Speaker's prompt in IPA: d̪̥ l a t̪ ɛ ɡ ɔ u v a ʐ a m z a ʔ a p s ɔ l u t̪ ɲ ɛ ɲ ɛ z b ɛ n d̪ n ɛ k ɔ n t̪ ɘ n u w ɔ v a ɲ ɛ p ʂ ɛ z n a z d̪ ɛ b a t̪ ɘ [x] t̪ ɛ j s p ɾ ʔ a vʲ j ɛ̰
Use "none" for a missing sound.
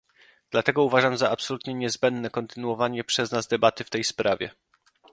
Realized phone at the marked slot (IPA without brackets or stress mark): f